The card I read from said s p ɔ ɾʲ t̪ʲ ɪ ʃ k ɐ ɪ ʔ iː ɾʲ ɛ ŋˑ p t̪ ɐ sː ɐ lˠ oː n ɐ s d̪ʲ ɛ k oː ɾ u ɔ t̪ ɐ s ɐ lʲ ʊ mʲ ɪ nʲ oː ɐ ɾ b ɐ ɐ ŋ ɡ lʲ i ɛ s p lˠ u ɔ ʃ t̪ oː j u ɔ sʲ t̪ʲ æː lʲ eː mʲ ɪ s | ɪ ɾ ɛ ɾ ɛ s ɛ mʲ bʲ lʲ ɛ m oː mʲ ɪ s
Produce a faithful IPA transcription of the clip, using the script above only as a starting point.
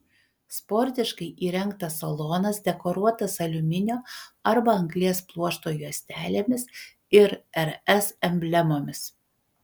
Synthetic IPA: s p ɔ ɾʲ t̪ʲ ɪ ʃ k ɐ ɪ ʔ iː ɾʲ ɛ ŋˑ k t̪ ɐ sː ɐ lˠ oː n ɐ s d̪ʲ ɛ k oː ɾ u ɔ t̪ ɐ s ɐ lʲ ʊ mʲ ɪ nʲ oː ɐ ɾ b ɐ ɐ ŋ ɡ lʲ i ɛ s p lˠ u ɔ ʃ t̪ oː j u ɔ sʲ t̪ʲ æː lʲ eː mʲ ɪ s | ɪ ɾ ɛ ɾ ɛ s ɛ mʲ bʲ lʲ ɛ m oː mʲ ɪ s